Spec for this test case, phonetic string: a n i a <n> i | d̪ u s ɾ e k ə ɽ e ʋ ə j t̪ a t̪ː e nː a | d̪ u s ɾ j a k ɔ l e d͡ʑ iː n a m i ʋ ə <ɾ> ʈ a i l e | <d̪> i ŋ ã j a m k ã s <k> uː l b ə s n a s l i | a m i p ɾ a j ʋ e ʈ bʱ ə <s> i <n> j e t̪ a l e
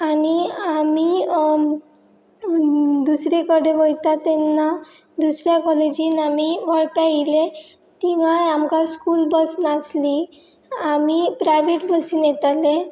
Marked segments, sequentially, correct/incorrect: incorrect: m, incorrect: ɭ, incorrect: t̪, correct, correct, correct

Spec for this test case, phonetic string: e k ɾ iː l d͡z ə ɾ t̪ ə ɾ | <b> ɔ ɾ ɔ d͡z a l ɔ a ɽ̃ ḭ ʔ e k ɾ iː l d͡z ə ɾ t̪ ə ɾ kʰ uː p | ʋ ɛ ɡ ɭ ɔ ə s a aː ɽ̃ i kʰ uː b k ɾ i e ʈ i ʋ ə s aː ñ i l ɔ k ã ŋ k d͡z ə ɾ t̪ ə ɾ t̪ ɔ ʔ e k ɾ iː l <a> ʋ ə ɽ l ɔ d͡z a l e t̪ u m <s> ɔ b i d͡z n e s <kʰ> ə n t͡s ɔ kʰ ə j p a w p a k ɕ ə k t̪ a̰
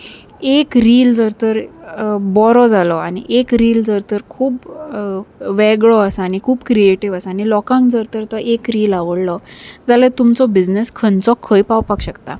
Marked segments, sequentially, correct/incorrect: correct, correct, incorrect: t͡s, correct

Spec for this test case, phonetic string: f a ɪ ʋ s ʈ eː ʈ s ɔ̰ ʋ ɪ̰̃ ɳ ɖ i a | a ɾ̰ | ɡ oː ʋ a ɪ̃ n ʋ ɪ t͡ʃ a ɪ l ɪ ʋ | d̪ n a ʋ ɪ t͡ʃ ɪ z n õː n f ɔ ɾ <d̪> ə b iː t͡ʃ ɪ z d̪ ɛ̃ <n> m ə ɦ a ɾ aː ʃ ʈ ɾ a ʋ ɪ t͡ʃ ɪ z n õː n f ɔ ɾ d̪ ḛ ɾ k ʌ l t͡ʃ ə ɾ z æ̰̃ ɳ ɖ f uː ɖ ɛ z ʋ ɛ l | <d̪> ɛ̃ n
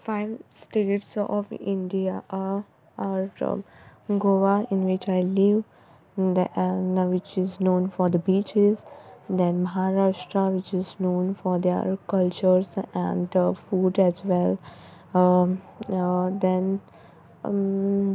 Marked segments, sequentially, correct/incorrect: correct, correct, correct

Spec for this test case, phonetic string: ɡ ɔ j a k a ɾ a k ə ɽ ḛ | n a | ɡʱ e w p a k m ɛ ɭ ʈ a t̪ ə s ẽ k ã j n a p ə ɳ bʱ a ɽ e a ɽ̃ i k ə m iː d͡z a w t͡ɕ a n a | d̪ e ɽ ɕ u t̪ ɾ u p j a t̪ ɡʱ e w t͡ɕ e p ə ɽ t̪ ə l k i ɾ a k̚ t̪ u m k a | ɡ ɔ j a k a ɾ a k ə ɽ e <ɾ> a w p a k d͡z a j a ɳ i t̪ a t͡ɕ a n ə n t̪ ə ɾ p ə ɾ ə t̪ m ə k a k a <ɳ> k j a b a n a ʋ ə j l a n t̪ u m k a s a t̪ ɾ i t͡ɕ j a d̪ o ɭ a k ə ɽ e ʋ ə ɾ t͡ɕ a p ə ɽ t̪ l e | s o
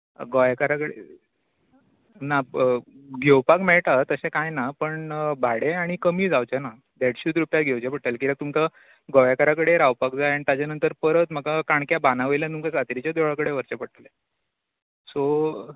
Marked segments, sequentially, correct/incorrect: correct, correct

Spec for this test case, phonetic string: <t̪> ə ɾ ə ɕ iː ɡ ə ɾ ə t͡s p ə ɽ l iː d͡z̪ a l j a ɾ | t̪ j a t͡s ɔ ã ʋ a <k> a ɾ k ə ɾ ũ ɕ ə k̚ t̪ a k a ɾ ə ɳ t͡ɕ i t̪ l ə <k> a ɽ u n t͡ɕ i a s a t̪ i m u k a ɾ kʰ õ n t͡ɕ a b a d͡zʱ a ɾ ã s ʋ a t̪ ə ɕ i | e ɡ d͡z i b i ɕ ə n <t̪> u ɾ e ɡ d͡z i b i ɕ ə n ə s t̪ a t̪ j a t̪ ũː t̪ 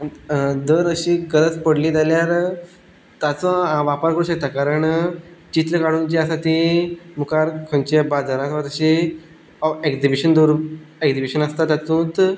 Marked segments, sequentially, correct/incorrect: incorrect: d̪, incorrect: p, correct, incorrect: d̪

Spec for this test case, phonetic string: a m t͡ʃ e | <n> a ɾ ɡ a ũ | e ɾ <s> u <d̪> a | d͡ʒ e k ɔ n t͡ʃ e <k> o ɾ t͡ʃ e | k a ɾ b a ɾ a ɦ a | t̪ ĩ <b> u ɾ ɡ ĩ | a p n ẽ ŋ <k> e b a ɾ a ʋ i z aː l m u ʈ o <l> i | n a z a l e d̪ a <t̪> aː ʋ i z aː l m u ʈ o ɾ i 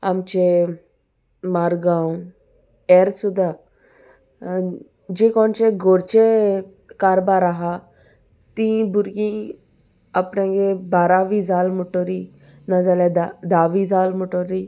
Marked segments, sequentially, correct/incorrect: incorrect: m, correct, correct, incorrect: ɡ, correct, incorrect: ɡ, incorrect: ɾ, incorrect: d̪

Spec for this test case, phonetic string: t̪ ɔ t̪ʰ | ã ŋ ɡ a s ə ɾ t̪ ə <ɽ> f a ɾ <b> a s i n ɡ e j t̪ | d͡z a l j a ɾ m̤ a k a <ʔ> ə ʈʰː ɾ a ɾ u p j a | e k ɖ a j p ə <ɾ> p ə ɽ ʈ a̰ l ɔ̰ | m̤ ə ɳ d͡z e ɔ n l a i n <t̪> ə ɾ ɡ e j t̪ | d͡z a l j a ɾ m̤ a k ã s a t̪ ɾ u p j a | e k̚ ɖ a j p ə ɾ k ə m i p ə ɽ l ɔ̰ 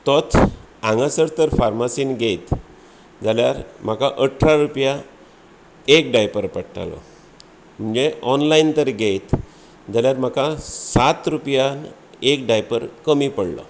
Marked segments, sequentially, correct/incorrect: incorrect: ɾ, incorrect: m, correct, correct, correct

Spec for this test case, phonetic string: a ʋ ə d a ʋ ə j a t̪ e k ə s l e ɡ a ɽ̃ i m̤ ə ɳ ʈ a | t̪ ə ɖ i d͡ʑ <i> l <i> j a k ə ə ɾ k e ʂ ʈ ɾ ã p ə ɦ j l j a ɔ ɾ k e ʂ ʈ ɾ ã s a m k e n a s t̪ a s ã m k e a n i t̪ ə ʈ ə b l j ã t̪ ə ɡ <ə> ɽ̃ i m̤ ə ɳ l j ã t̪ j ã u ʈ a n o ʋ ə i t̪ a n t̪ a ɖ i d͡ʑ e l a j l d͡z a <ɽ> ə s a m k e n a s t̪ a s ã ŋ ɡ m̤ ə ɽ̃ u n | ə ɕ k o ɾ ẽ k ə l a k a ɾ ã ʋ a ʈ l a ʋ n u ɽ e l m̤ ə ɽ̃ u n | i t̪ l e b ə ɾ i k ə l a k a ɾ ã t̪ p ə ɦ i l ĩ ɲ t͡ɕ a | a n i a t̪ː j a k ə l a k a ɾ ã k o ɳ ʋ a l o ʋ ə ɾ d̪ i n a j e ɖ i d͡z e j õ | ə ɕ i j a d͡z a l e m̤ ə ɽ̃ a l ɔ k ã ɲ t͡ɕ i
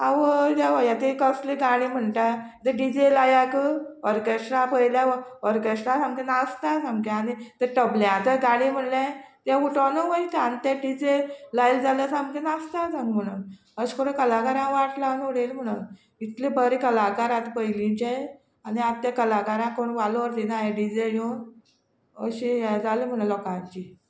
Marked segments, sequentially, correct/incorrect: incorrect: e, incorrect: a, incorrect: a, incorrect: l

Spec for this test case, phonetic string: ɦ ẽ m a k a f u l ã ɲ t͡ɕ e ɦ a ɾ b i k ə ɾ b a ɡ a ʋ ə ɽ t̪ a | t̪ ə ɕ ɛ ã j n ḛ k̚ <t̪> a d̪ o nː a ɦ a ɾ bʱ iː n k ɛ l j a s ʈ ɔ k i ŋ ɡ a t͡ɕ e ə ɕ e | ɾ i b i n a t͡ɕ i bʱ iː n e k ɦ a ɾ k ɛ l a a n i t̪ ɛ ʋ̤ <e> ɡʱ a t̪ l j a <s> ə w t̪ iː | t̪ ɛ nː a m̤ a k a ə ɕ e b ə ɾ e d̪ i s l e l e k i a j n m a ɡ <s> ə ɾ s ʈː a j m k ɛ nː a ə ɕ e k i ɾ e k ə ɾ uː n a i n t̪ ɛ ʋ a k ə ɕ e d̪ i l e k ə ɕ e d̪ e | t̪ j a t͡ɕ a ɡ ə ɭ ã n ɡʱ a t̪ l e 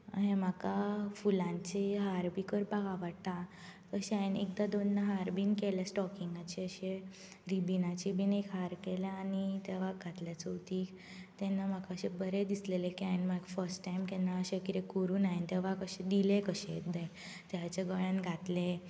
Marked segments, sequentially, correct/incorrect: incorrect: d̪, incorrect: a, incorrect: t͡s, incorrect: f

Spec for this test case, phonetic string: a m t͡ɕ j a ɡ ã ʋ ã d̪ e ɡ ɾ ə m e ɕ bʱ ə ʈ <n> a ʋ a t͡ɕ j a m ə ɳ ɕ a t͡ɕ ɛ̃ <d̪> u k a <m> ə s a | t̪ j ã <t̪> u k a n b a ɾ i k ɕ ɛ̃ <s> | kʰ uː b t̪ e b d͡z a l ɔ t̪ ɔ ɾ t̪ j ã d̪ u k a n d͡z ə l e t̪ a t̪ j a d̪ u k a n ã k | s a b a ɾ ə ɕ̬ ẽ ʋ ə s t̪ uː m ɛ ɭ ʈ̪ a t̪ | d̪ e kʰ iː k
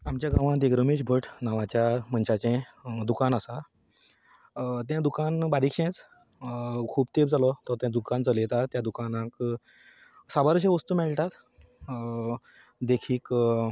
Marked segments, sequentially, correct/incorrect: correct, correct, incorrect: n, incorrect: d̪, incorrect: t͡s

